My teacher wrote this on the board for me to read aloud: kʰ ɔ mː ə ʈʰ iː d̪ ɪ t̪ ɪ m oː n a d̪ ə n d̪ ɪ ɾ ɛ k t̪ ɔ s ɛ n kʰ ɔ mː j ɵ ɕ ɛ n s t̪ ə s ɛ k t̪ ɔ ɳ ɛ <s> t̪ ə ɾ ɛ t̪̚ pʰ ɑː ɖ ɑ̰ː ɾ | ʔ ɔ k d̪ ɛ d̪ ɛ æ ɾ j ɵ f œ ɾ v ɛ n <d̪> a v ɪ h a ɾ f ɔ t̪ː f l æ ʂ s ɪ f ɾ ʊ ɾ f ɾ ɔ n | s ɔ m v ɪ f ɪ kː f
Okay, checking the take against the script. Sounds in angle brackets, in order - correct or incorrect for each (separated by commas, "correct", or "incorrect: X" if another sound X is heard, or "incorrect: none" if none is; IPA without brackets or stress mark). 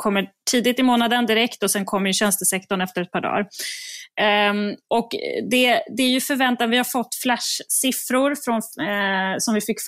incorrect: f, incorrect: t̪